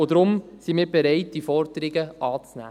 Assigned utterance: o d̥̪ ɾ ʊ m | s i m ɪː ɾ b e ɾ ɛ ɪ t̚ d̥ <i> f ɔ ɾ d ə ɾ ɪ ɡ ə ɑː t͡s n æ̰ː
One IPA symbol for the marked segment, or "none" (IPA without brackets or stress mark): i